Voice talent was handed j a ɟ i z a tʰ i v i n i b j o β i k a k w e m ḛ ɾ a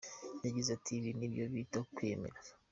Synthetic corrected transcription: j a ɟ i z a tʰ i β i n i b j o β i t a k w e m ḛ ɾ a